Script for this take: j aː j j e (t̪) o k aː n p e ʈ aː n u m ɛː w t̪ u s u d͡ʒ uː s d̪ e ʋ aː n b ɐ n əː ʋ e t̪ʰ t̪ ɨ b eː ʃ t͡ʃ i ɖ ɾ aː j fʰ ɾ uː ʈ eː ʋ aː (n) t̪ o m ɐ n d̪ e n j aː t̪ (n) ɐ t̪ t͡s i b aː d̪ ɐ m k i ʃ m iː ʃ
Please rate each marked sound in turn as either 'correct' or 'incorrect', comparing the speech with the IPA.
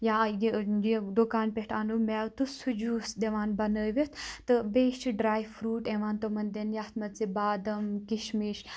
incorrect: d̪, correct, incorrect: m

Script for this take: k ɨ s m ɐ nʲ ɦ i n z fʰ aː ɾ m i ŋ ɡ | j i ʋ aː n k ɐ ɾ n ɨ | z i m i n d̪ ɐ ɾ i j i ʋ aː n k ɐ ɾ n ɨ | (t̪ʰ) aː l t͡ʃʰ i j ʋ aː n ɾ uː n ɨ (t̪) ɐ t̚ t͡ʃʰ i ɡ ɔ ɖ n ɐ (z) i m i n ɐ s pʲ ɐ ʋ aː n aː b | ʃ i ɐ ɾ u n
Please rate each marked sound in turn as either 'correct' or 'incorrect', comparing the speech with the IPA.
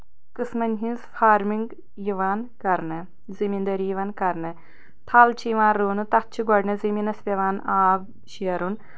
correct, correct, correct

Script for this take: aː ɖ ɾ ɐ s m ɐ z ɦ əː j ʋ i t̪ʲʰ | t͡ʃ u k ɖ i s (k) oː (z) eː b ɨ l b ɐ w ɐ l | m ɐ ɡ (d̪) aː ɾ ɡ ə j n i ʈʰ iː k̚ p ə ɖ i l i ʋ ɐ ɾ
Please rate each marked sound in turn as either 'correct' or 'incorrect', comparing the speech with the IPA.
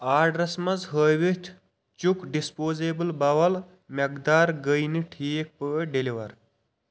incorrect: p, correct, correct

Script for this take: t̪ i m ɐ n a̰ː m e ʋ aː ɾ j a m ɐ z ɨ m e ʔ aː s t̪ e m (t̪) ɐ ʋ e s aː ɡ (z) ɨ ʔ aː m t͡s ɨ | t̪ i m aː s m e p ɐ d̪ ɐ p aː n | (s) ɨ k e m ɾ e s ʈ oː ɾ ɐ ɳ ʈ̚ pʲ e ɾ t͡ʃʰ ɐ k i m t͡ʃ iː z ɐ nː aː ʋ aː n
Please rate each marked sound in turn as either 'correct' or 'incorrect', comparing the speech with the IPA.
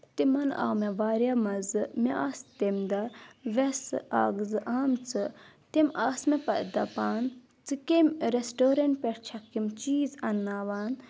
incorrect: d̪, correct, incorrect: t͡s

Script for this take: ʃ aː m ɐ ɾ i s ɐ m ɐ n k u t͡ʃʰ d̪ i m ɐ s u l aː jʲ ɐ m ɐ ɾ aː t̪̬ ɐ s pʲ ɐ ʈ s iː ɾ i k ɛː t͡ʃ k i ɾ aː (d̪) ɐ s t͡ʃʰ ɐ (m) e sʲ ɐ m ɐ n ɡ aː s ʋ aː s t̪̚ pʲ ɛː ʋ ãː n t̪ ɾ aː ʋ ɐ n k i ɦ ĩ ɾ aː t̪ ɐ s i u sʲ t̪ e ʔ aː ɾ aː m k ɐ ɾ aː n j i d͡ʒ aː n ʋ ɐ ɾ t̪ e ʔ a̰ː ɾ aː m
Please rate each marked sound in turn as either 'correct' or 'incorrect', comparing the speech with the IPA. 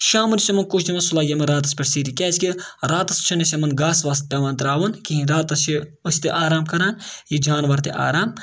incorrect: t̪, incorrect: n

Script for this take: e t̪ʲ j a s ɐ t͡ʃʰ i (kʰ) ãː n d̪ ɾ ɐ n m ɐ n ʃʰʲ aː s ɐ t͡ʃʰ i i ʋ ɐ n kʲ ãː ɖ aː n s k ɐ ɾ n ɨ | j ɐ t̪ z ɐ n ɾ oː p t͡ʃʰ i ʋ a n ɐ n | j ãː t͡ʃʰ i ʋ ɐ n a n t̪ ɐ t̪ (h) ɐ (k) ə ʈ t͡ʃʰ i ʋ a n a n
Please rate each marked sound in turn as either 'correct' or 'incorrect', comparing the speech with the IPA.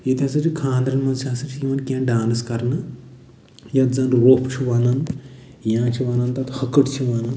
correct, correct, correct

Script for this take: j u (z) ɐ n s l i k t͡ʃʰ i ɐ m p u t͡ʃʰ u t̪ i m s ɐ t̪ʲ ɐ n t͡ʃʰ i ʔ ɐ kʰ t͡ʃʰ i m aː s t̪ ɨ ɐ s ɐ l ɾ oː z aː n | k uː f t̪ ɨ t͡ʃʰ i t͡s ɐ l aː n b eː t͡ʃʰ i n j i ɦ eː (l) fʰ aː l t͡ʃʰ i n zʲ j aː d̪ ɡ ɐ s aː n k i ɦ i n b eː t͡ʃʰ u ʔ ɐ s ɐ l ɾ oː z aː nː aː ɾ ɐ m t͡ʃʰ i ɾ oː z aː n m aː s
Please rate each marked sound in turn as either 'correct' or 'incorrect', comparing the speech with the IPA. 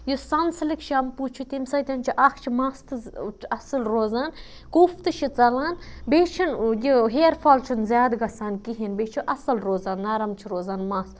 incorrect: s, incorrect: ɾ

